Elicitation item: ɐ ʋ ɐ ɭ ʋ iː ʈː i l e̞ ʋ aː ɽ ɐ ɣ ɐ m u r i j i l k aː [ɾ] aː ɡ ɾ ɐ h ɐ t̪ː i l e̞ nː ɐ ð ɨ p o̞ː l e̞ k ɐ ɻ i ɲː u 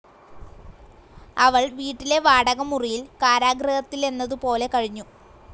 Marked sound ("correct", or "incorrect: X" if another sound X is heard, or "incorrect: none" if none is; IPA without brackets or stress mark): correct